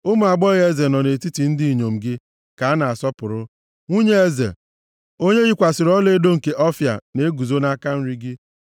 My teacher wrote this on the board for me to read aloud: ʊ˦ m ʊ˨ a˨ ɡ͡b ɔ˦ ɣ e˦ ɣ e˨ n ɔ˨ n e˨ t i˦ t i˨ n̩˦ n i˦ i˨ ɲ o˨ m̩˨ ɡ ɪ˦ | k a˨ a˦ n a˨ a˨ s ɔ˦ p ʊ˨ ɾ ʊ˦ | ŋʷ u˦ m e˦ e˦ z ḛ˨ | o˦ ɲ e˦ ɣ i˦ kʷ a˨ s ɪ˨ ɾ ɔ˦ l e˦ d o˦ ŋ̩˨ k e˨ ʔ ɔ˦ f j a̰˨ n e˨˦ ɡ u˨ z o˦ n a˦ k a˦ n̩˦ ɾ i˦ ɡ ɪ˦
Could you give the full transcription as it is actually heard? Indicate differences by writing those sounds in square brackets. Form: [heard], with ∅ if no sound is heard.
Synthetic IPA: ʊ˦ m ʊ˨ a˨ ɡ͡b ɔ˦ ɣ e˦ [z] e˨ n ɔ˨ n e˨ t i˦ t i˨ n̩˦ [d] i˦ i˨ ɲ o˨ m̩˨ ɡ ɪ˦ | k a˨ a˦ n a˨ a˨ s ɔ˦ p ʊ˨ ɾ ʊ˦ | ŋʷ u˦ [ɲ] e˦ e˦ z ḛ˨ | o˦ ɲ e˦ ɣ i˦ kʷ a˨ s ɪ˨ ɾ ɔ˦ l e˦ d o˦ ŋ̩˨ k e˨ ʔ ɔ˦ f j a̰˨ n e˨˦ ɡ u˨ z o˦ n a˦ k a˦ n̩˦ ɾ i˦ ɡ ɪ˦